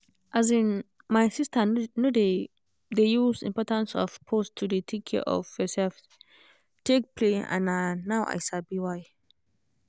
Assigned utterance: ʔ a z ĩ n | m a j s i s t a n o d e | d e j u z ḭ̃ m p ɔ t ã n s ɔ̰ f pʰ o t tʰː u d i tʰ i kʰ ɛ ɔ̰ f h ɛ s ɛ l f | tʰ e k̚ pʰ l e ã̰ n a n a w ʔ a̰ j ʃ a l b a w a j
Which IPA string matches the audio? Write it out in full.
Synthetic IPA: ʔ a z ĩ n | m a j s i s t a n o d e | d e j u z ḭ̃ m p ɔ t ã n s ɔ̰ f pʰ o s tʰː u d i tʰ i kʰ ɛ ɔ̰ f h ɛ s ɛ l f | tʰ e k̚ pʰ l e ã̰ n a n a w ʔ a̰ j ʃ a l b i w a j